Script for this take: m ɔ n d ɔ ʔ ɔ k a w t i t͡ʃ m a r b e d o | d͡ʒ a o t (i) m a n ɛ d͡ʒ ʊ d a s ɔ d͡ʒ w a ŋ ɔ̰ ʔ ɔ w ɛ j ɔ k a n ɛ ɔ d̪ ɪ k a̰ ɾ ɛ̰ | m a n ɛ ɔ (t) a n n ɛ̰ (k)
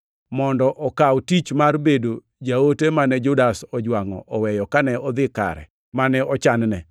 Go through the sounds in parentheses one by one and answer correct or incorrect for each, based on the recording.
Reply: incorrect: e, incorrect: t͡ʃ, incorrect: none

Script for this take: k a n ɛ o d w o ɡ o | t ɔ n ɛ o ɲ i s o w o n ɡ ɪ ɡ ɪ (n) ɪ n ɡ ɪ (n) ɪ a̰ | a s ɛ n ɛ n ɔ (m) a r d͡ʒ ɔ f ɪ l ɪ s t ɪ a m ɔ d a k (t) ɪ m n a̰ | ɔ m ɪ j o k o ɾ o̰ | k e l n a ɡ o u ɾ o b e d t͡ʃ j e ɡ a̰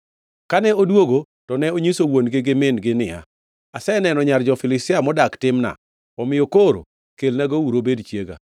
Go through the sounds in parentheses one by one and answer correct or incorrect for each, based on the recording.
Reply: incorrect: m, correct, incorrect: ɲ, correct

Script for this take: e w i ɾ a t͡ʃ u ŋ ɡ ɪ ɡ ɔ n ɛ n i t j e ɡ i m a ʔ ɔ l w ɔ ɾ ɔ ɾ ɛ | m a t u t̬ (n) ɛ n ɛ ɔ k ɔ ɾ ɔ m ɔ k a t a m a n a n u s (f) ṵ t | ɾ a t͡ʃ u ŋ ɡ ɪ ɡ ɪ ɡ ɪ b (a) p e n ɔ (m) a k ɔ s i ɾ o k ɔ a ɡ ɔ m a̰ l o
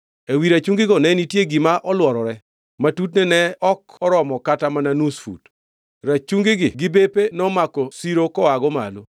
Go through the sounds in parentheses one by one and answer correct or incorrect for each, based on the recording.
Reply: correct, correct, incorrect: e, correct

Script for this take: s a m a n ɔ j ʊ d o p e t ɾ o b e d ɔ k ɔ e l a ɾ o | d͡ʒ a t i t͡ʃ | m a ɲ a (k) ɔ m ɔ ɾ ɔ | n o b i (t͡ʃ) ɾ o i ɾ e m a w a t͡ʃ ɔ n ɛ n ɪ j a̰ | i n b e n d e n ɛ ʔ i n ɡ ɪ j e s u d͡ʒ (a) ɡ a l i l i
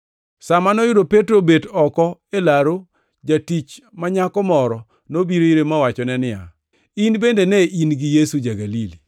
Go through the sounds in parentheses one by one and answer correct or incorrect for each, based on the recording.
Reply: correct, incorrect: none, correct

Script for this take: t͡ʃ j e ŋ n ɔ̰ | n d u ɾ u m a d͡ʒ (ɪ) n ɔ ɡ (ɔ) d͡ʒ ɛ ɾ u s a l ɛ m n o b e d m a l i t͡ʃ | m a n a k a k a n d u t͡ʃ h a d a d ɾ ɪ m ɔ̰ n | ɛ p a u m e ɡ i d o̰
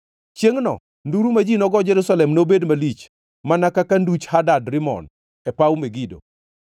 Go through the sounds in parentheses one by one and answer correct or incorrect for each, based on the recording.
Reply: incorrect: i, correct

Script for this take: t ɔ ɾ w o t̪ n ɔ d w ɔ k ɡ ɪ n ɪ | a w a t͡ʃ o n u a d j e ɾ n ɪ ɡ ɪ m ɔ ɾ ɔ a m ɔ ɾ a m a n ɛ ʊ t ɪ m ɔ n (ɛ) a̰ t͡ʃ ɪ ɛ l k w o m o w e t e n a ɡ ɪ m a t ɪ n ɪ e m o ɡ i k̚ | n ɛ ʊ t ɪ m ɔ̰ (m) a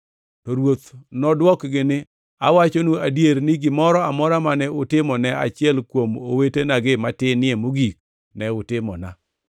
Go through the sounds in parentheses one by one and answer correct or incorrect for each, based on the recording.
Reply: correct, incorrect: n

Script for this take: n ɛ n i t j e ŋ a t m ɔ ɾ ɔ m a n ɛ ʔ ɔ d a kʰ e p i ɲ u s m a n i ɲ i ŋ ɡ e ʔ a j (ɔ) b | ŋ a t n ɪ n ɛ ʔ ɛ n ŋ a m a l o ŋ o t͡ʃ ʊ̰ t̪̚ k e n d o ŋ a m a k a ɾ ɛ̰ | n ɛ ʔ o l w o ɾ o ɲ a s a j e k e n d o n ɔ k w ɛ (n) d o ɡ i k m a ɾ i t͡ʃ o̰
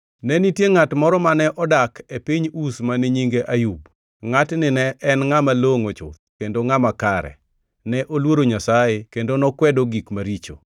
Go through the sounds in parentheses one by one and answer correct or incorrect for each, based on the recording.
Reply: incorrect: u, incorrect: none

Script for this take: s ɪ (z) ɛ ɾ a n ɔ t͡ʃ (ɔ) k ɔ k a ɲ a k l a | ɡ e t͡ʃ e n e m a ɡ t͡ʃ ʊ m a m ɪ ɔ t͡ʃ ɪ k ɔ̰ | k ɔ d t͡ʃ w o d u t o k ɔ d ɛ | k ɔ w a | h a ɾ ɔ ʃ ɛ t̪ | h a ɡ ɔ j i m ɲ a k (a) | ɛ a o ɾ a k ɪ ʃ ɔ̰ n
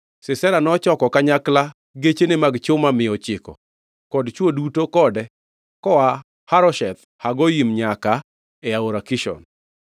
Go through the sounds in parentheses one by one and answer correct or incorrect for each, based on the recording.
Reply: incorrect: s, correct, correct

